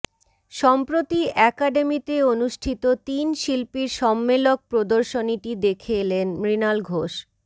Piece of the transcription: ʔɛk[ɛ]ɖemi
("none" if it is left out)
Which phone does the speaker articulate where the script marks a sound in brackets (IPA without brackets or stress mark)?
a